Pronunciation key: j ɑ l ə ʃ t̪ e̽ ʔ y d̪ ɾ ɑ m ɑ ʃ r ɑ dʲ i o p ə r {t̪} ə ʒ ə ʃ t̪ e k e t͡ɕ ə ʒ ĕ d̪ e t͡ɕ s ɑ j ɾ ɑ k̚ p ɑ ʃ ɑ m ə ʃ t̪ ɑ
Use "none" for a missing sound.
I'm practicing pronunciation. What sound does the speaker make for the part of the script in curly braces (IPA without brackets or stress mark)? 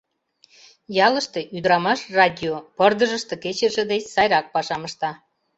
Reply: d̪